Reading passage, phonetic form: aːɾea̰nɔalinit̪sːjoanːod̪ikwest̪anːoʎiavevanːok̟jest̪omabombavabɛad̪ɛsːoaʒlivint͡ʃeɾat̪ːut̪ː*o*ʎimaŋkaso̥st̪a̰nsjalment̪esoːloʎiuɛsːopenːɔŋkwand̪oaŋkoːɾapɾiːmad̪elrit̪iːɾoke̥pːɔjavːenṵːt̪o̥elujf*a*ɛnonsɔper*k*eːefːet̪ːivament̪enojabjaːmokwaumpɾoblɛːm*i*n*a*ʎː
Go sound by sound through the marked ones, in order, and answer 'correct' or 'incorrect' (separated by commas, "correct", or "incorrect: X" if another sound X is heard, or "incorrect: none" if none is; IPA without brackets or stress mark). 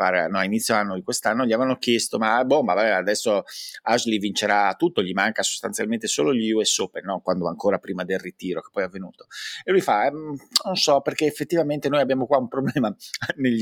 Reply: correct, correct, correct, incorrect: a, incorrect: e